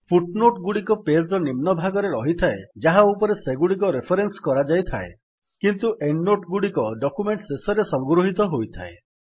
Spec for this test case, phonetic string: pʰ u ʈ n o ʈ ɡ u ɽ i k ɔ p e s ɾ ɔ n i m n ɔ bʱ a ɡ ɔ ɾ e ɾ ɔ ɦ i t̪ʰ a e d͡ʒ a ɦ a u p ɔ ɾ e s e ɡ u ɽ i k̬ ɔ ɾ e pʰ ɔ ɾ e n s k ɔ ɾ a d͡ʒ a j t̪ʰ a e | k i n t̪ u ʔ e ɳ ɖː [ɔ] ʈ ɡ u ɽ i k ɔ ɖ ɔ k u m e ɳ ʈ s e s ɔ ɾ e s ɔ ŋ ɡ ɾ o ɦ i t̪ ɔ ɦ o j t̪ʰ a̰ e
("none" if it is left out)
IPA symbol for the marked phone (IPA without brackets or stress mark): o